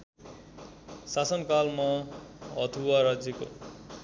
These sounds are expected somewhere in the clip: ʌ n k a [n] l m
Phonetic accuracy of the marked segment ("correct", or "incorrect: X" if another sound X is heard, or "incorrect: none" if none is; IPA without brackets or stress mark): incorrect: none